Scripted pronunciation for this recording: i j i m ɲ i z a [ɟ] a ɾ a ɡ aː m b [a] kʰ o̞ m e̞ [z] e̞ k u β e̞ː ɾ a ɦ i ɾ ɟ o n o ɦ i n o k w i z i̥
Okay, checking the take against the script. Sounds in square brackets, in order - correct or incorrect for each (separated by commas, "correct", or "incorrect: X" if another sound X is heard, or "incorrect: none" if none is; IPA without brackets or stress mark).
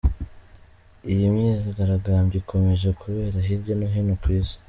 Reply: incorrect: ɡ, incorrect: i, incorrect: ʒ